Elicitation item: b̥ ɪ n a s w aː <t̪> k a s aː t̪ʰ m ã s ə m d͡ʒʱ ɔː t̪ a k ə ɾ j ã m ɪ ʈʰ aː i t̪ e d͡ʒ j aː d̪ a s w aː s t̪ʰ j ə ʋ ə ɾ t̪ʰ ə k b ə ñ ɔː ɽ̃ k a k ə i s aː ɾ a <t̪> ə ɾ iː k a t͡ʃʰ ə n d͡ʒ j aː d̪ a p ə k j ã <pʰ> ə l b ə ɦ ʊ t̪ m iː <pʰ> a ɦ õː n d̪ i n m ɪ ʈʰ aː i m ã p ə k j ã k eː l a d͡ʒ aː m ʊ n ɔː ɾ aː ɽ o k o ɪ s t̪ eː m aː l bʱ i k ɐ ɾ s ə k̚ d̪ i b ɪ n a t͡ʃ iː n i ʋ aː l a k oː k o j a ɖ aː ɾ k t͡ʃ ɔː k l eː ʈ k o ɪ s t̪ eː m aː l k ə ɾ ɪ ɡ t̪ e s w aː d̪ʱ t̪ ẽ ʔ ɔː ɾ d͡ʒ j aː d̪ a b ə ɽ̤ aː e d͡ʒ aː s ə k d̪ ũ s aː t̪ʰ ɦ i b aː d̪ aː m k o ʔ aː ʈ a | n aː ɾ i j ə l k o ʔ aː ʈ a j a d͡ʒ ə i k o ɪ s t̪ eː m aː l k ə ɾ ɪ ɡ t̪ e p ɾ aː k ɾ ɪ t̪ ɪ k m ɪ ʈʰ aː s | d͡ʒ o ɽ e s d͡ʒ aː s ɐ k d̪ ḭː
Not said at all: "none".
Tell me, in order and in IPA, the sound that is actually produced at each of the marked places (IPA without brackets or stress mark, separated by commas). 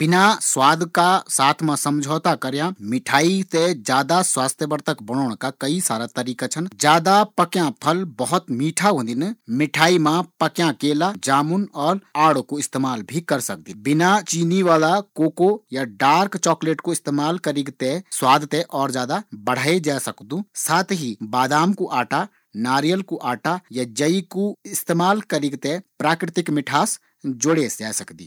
d̪, t̪, pʰ, ʈʰ